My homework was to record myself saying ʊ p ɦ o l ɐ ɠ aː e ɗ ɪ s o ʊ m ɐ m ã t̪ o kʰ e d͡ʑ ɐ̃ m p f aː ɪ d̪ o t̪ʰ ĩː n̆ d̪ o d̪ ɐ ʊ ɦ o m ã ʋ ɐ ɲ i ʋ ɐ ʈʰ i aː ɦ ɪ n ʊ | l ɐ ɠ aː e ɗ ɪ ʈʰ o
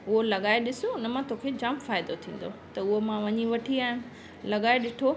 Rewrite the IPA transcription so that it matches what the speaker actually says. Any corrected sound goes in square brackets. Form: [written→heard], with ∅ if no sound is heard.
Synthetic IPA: ʊ [p→∅] ɦ o l ɐ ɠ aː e ɗ ɪ s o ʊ [m→n] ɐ m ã t̪ o kʰ e d͡ʑ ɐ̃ m p f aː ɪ d̪ o t̪ʰ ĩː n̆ d̪ o [d̪→t̪] ɐ ʊ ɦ o m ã ʋ ɐ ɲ i ʋ ɐ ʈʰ i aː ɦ ɪ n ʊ | l ɐ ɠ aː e ɗ ɪ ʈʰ o